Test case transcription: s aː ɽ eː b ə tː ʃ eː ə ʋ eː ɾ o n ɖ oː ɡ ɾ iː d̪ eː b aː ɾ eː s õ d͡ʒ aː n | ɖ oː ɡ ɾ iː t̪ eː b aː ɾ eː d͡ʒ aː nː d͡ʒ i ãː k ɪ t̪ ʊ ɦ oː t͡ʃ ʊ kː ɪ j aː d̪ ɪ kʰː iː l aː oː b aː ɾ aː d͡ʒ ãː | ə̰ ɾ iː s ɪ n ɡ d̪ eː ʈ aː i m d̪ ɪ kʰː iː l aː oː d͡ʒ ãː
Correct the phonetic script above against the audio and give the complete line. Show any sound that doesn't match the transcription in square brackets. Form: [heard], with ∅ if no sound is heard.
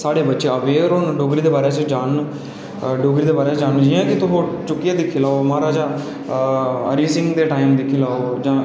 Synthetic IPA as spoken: s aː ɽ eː b ə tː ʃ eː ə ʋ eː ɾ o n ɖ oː ɡ ɾ iː d̪ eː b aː ɾ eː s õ d͡ʒ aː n | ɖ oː ɡ ɾ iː [d̪] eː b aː ɾ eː d͡ʒ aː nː d͡ʒ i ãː k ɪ t̪ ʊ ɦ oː t͡ʃ ʊ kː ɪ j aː d̪ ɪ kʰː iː l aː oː [m] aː ɾ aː d͡ʒ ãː | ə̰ ɾ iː s ɪ [ŋ] ɡ d̪ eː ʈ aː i m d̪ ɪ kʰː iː l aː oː d͡ʒ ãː